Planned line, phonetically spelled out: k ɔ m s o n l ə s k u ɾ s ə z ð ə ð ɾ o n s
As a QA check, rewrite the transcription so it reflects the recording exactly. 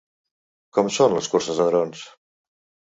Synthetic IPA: k ɔ m s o n l ə s k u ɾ s ə z ð ə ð ɾ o n s